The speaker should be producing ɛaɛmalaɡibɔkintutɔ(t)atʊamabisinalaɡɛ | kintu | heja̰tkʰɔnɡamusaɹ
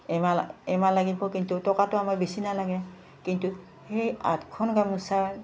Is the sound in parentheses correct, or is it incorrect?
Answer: incorrect